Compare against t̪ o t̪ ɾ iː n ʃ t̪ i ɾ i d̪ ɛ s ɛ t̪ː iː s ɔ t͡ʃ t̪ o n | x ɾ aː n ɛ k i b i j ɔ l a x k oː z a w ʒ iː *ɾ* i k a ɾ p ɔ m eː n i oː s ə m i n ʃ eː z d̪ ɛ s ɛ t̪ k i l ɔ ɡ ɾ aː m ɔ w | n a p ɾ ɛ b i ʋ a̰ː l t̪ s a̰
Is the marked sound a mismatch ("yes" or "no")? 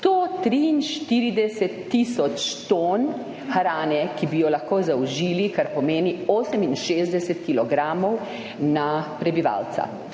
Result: yes